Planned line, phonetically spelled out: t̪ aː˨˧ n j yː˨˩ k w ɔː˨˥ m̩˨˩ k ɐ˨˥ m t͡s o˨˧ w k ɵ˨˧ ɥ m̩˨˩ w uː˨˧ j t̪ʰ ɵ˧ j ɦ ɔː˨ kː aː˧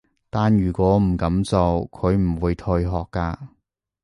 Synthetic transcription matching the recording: t̪ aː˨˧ n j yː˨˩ k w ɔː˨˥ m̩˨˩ k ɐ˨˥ m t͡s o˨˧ w kʰ ɵ˨˧ ɥ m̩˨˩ w uː˨˧ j t̪ʰ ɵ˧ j ɦ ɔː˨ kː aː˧